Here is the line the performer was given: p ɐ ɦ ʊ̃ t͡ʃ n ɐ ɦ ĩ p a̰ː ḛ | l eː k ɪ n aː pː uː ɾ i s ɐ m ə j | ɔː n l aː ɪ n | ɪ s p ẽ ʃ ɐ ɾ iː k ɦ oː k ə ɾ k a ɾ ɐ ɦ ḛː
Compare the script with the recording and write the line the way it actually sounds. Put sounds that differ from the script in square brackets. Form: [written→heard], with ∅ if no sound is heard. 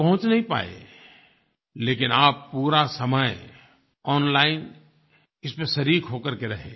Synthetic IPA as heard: p ɐ ɦ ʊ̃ t͡ʃ n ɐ ɦ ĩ p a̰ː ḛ | l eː k ɪ n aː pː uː ɾ [i→a] s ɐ m ə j | ɔː n l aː ɪ n | ɪ s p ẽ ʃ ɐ ɾ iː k ɦ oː k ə ɾ k [a→e] ɾ ɐ ɦ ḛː